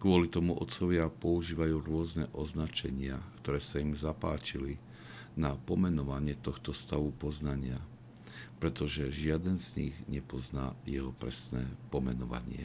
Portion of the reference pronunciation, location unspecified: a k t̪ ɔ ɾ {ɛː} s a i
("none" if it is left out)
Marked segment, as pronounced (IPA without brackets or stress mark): ɛː